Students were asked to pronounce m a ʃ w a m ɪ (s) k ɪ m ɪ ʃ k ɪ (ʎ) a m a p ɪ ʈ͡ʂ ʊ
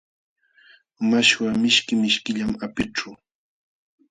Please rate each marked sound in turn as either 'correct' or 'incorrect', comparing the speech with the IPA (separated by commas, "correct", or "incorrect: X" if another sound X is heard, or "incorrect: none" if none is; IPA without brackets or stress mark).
incorrect: ʃ, correct